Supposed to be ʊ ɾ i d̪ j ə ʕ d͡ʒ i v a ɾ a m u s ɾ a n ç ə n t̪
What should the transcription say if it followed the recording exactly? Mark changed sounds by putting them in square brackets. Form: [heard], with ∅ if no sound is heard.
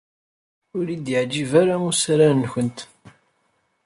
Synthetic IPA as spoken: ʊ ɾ i d̪ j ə ʕ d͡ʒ i v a ɾ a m u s ɾ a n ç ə n t̪